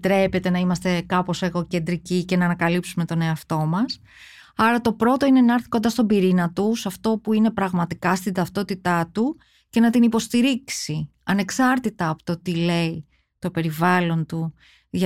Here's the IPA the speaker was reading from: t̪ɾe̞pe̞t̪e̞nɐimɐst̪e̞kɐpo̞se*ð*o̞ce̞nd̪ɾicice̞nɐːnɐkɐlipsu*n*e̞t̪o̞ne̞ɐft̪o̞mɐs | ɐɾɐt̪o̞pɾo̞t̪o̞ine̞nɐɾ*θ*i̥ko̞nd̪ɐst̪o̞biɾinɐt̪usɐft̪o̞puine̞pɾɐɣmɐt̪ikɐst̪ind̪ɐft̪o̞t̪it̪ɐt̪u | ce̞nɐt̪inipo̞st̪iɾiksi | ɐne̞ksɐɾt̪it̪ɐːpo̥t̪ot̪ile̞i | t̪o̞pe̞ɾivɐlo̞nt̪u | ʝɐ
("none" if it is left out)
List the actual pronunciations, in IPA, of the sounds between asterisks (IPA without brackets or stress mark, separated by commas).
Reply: ɣ, m, θ